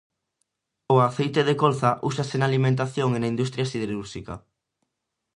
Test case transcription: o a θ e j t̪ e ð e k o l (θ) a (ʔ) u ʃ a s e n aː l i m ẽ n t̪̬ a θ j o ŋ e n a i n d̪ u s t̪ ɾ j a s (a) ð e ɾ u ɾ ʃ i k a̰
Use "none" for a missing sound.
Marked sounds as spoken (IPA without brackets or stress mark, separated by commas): θ, ʔ, i